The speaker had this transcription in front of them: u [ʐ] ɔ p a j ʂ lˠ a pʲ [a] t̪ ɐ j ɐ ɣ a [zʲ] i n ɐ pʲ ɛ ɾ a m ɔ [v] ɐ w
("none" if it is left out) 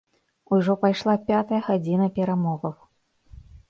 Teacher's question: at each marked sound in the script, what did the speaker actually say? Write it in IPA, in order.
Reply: ʐ, a, d͡zʲ, ɣ

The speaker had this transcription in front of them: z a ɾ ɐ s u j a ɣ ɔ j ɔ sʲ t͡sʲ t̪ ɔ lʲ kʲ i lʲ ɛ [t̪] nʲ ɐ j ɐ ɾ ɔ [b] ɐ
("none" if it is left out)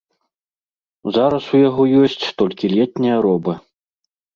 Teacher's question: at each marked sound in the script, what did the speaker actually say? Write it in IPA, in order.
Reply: t̪, b

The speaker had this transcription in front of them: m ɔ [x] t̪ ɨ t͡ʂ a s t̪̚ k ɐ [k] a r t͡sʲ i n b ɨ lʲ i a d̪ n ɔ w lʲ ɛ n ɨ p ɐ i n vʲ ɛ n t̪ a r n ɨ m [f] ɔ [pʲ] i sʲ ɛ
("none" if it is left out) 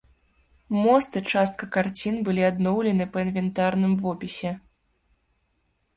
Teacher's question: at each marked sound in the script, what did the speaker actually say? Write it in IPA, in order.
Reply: s, k, v, pʲ

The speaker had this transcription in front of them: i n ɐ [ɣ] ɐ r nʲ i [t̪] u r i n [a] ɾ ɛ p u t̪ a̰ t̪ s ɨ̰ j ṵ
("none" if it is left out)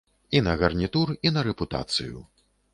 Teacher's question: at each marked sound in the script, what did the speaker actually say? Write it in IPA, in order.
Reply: ɣ, t̪, ɐ

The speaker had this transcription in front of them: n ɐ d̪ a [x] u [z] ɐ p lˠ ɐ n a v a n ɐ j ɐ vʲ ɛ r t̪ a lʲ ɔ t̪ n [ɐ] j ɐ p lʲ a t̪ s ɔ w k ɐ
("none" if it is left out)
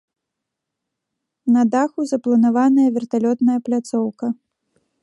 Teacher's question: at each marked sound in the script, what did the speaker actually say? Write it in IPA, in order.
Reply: x, z, ɐ

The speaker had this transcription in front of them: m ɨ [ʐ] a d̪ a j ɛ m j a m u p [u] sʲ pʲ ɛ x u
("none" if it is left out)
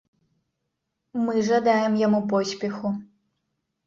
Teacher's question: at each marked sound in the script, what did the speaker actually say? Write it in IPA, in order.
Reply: ʐ, ɔ

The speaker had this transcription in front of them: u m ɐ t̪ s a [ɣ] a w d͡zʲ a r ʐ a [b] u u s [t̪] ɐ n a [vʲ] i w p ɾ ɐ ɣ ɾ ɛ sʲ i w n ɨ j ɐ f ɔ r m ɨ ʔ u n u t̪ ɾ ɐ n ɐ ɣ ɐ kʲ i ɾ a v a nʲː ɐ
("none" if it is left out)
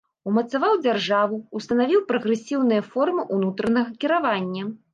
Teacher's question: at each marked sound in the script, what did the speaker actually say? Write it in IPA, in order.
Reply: v, v, t̪, vʲ

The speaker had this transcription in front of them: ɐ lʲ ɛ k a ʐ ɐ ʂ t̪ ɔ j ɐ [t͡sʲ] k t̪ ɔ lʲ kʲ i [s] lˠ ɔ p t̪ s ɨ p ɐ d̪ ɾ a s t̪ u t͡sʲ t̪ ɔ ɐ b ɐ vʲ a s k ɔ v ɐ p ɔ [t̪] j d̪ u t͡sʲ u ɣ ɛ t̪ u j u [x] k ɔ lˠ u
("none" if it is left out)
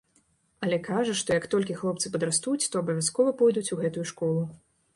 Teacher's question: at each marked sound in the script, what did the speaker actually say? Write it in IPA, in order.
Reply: none, x, none, ʂ

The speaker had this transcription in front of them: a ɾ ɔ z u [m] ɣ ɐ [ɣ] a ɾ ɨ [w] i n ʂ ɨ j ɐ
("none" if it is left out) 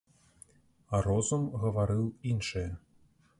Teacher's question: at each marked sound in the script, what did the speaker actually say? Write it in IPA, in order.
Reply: m, v, w

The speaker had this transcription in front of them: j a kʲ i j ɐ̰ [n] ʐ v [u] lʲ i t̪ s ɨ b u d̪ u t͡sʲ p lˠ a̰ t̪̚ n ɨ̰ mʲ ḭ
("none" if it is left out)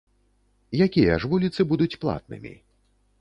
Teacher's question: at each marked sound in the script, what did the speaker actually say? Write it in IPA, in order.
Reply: none, u

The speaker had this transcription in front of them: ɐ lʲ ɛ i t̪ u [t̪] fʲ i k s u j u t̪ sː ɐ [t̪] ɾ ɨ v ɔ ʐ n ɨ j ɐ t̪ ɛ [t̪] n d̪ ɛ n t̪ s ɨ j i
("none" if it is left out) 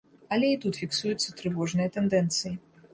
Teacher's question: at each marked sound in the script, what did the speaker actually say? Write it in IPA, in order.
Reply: t̪, t̪, none

